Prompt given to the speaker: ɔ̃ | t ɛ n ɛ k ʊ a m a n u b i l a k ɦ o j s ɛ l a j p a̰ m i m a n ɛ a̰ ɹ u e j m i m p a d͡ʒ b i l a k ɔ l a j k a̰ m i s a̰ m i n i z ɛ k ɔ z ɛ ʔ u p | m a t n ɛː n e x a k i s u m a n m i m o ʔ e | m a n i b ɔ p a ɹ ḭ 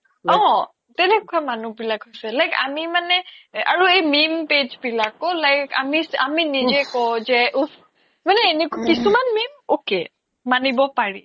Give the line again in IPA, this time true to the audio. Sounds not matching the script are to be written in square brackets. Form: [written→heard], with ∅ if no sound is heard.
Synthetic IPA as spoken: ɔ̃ | t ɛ n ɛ k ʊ a m a n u b i l a k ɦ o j s ɛ l a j [p→k] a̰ m i m a n ɛ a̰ ɹ u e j m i m p [a→e] d͡ʒ b i l a k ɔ l a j k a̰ m i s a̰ m i n i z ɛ k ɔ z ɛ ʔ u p | m a [t→∅] n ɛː n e [x→k] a k i s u m a n m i m o [ʔ→k] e | m a n i b ɔ p a ɹ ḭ